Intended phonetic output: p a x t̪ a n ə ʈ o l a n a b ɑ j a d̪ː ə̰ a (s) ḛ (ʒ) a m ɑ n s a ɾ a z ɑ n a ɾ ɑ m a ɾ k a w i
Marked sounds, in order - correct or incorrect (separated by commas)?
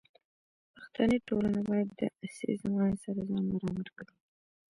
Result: correct, incorrect